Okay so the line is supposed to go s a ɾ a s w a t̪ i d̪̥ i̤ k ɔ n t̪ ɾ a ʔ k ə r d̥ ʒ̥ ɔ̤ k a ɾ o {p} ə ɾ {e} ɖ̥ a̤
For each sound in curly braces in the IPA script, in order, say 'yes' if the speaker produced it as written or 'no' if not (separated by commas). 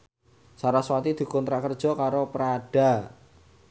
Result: yes, no